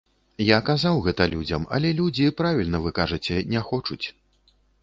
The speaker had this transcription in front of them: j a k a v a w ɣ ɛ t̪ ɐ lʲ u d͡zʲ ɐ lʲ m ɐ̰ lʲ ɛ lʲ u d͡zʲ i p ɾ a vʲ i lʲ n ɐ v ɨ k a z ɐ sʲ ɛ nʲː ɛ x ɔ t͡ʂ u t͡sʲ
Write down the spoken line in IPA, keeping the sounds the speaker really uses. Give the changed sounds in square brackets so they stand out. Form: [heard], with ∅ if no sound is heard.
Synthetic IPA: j a k a [z] a w ɣ ɛ t̪ ɐ lʲ u d͡zʲ ɐ [∅] m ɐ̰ lʲ ɛ lʲ u d͡zʲ i p ɾ a vʲ i lʲ n ɐ v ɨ k a [ʐ] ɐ [t͡sʲ] ɛ [nʲ] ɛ x ɔ t͡ʂ u t͡sʲ